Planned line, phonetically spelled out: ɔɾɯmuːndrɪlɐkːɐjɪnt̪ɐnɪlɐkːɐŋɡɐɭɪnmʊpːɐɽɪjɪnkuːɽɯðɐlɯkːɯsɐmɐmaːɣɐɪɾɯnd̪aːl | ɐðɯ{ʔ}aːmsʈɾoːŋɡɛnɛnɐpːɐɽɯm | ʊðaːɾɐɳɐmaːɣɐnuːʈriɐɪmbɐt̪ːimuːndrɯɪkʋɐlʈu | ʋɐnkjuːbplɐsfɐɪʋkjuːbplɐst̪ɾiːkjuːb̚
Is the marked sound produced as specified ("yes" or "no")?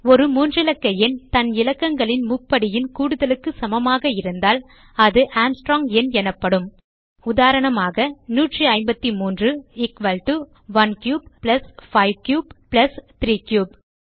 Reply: yes